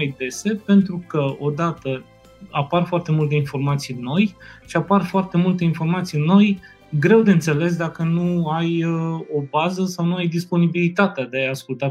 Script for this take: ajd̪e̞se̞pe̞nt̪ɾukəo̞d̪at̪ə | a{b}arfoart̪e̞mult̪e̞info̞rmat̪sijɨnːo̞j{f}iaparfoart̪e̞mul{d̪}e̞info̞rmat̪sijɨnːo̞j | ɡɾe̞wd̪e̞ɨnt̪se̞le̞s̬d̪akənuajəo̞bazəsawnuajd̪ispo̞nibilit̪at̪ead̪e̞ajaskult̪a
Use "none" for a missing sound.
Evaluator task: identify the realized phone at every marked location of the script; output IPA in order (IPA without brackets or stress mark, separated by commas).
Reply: p, ʃ, t̪